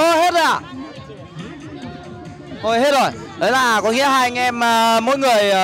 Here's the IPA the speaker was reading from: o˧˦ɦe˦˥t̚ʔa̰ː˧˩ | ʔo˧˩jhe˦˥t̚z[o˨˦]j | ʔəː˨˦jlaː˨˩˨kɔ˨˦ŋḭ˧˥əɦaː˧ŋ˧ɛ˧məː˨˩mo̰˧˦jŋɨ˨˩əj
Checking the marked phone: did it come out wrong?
yes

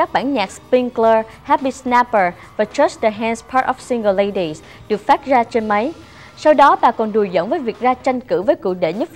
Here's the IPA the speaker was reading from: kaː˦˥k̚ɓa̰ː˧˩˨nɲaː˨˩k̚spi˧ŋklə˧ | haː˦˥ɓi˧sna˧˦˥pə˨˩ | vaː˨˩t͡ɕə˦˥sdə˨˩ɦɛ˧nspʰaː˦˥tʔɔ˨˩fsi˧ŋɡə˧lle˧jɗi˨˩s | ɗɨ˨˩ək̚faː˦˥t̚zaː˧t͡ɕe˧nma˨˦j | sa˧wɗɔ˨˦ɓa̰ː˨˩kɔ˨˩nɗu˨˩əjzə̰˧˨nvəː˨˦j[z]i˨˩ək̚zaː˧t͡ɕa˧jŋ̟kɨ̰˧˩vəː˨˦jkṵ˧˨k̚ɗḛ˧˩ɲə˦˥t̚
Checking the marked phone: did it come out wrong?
yes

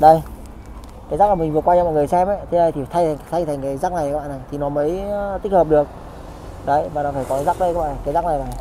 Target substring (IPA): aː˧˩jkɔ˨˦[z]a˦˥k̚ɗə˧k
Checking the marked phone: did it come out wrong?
no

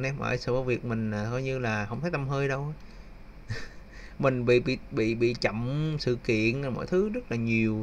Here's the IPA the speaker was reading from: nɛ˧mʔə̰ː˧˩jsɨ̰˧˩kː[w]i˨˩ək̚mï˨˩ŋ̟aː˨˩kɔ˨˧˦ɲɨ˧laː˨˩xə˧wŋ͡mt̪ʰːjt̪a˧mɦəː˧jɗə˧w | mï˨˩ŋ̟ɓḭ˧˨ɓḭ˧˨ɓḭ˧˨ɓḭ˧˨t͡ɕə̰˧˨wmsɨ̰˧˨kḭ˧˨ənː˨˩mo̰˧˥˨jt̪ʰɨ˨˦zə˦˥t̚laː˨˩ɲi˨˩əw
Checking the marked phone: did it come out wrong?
yes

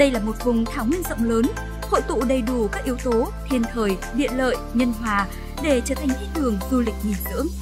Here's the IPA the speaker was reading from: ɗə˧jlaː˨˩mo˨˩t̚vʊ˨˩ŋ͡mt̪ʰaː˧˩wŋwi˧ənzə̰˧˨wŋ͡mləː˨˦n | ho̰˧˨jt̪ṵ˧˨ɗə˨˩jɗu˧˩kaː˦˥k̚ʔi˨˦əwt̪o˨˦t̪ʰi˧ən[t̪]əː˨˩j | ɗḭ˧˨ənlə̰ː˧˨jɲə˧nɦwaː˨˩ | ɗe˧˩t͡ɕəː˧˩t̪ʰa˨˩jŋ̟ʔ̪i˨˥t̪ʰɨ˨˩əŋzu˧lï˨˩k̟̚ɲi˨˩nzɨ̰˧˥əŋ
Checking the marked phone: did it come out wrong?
yes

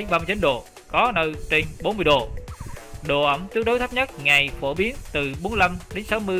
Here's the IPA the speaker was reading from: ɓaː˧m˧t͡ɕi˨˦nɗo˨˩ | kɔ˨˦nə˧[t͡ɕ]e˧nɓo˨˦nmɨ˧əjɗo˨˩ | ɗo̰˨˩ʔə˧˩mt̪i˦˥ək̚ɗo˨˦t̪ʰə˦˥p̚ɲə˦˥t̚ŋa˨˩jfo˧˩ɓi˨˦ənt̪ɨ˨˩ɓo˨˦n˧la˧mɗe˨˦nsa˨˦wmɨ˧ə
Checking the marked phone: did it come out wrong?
no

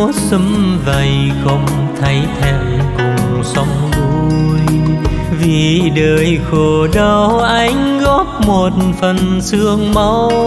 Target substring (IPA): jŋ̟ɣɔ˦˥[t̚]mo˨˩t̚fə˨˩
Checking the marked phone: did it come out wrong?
yes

